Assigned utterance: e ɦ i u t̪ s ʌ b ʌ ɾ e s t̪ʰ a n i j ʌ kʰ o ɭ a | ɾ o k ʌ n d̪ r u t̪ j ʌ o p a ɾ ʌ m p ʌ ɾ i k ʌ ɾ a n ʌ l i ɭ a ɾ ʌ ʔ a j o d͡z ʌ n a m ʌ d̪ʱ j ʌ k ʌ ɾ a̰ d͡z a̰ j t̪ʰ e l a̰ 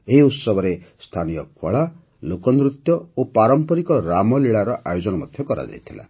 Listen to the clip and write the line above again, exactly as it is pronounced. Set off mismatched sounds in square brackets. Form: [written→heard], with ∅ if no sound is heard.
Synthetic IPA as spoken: e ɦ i u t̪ s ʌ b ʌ ɾ e s t̪ʰ a n i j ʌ kʰ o ɭ a | [ɾ→l] o k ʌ n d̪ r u t̪ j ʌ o p a ɾ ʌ m p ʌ ɾ i k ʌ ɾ a [n→m] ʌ l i ɭ a ɾ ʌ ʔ a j o d͡z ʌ n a m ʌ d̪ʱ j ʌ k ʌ ɾ a̰ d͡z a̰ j t̪ʰ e l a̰